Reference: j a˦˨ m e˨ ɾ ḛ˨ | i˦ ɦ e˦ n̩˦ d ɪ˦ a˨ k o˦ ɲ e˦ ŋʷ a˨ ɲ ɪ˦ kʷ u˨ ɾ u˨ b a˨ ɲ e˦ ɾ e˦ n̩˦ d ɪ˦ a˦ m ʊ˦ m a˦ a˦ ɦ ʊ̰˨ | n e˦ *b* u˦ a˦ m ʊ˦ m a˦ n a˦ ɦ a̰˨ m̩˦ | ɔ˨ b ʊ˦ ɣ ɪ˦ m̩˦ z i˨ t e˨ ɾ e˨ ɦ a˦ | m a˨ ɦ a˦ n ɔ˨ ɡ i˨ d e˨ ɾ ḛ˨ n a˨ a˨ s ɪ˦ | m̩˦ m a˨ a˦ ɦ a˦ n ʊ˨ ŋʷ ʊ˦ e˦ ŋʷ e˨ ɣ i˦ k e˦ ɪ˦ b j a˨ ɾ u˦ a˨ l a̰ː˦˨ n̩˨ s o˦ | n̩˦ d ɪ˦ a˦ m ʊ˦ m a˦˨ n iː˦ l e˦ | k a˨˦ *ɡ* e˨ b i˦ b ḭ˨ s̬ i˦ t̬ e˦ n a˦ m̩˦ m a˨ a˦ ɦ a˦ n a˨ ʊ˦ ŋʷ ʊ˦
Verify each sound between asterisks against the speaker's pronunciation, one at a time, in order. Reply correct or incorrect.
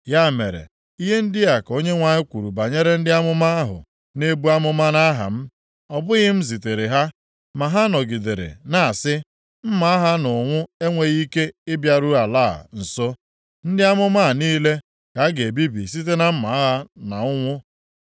correct, correct

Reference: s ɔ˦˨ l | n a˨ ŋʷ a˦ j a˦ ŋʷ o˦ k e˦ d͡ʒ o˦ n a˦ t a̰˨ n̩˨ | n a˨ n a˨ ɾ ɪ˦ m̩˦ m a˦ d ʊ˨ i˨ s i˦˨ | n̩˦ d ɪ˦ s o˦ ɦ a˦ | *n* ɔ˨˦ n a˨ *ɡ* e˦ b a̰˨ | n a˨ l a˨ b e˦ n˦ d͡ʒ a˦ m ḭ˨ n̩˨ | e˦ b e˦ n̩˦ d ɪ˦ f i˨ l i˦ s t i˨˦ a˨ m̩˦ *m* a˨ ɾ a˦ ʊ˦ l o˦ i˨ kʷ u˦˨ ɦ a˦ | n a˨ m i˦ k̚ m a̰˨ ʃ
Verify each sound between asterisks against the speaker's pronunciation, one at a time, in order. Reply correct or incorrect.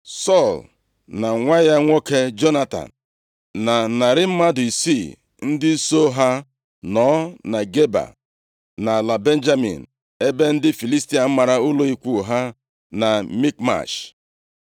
correct, correct, correct

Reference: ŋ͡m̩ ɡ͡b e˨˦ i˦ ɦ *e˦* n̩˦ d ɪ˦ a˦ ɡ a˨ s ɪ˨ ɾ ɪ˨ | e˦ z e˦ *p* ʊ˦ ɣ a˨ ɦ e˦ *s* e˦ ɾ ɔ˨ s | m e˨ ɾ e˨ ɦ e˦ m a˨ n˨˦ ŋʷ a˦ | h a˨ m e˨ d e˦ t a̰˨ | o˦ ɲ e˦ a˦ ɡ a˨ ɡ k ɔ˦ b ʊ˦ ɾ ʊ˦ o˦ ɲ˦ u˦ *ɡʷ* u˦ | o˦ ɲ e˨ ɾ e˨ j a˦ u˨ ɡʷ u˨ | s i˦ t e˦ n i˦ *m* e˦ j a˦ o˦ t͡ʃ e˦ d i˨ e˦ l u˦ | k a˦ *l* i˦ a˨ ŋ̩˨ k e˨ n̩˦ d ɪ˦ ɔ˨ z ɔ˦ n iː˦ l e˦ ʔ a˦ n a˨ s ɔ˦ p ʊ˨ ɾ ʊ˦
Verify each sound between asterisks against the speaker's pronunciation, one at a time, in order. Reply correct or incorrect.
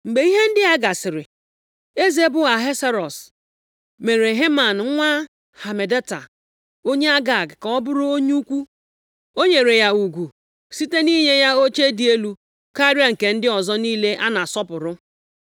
correct, incorrect, correct, incorrect, incorrect, incorrect

